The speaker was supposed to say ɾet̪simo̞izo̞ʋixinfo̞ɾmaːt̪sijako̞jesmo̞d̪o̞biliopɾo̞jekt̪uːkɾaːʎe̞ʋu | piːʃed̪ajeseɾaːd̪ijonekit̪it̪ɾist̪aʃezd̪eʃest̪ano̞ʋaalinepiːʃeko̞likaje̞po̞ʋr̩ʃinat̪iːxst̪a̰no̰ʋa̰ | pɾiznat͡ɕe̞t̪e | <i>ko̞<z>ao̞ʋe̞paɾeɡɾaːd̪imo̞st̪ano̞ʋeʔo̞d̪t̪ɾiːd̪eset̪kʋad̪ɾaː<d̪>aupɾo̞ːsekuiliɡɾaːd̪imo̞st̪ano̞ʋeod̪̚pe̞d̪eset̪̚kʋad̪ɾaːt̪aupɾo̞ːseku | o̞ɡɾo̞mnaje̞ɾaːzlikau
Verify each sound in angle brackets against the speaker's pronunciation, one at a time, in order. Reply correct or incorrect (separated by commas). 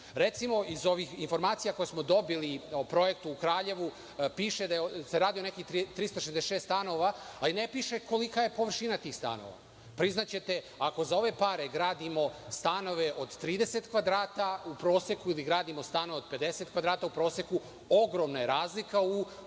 incorrect, correct, incorrect